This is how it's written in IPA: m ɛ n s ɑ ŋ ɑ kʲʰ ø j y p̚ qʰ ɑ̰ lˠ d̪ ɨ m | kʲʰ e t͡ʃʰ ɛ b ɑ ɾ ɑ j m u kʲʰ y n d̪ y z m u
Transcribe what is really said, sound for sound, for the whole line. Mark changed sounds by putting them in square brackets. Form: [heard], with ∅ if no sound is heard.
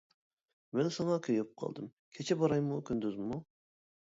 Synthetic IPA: m ɛ n s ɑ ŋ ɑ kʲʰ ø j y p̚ qʰ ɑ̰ lˠ d̪ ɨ m | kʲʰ e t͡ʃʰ ɛ b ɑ ɾ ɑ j m u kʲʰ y n d̪ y z m u

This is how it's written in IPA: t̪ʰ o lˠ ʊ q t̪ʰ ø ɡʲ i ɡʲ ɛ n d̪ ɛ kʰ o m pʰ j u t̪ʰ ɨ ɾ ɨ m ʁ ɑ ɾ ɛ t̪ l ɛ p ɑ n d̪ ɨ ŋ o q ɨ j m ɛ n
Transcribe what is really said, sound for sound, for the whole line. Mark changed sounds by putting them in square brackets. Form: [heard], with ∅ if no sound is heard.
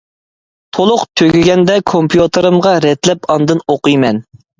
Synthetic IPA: t̪ʰ o lˠ ʊ q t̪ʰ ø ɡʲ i ɡʲ ɛ n d̪ ɛ kʰ o m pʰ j u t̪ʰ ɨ ɾ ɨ m ʁ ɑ ɾ ɛ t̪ l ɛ p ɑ n d̪ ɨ [n] o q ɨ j m ɛ n

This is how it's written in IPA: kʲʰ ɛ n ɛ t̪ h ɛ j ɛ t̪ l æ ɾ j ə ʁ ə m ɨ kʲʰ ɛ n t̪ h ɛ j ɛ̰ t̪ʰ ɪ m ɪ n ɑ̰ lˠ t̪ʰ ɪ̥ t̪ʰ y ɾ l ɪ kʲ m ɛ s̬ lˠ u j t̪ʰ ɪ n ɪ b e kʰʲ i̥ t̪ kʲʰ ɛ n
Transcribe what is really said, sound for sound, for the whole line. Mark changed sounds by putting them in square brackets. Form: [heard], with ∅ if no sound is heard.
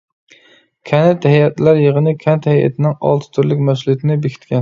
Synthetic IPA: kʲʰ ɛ n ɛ t̪ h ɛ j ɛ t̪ l æ ɾ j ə ʁ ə [n] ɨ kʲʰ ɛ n t̪ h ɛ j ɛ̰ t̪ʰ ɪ [n] ɪ [ŋ] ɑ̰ lˠ t̪ʰ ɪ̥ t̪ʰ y ɾ l ɪ kʲ m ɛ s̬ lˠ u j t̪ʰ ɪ n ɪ b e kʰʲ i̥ t̪ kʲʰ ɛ n

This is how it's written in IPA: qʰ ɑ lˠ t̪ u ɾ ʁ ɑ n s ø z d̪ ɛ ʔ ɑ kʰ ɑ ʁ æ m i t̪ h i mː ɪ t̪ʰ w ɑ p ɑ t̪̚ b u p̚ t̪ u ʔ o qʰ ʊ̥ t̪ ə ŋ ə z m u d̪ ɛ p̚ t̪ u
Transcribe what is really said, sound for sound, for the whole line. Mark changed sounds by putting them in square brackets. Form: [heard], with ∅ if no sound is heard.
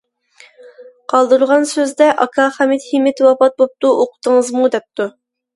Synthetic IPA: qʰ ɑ lˠ [d̪] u ɾ ʁ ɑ n s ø z d̪ ɛ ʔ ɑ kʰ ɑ [χ] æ m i t̪ h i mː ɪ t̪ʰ w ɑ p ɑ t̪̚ b [o] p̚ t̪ u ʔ o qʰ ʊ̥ t̪ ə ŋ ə z m u d̪ ɛ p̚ t̪ u

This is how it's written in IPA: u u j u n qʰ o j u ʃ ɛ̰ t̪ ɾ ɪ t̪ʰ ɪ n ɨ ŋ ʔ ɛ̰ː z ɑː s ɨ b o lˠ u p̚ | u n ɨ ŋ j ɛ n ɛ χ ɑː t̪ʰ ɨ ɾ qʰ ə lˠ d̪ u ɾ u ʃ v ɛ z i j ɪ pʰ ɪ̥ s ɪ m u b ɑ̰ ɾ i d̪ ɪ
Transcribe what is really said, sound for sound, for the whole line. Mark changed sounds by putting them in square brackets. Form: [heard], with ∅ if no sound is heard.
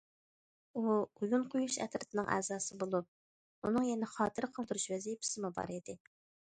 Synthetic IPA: u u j u n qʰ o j u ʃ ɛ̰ t̪ ɾ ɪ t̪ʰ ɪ n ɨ ŋ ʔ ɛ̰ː z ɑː s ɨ b o lˠ u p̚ | u n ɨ ŋ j ɛ n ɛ χ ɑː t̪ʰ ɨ ɾ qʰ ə lˠ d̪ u ɾ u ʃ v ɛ z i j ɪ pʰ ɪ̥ s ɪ m u b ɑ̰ ɾ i d̪ ɪ

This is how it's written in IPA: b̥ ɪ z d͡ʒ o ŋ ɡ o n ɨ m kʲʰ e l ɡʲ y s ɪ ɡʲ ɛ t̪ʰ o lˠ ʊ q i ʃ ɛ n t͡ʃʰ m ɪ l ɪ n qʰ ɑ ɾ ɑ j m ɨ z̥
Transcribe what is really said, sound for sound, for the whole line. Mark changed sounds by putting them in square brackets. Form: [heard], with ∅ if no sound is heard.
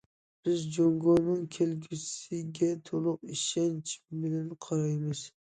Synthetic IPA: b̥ ɪ z d͡ʒ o ŋ ɡ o n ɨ [ŋ] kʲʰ e l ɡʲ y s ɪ ɡʲ ɛ t̪ʰ o lˠ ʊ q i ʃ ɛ n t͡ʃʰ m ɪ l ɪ n qʰ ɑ ɾ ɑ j m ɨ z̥

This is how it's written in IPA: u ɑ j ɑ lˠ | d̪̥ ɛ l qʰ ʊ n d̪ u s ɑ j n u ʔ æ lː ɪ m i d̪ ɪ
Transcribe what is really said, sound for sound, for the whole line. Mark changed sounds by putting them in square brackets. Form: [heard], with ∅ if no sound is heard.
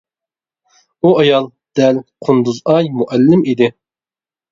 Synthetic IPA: u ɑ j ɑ lˠ | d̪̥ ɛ l qʰ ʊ n d̪ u [z] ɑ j [m] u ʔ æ lː ɪ m i d̪ ɪ

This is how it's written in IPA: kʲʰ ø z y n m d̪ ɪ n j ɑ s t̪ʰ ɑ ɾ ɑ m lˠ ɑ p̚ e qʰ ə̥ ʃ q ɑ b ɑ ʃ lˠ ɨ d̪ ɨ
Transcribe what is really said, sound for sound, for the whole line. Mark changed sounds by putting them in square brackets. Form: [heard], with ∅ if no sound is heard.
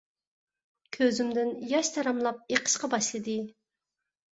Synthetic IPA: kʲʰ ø z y [∅] m d̪ ɪ n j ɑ [ʃ] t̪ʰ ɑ ɾ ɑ m lˠ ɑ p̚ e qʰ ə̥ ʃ q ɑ b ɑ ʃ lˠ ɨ d̪ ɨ

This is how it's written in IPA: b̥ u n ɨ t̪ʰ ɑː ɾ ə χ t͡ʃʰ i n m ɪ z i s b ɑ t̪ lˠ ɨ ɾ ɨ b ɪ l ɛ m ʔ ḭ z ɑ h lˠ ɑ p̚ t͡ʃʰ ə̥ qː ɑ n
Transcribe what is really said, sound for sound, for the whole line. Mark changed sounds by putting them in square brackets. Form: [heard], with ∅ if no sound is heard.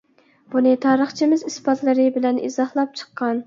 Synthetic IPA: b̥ u n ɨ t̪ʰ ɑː ɾ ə χ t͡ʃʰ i [∅] m ɪ z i s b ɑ t̪ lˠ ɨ ɾ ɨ b ɪ l ɛ [n] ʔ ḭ z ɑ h lˠ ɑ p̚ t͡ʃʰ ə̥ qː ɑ n

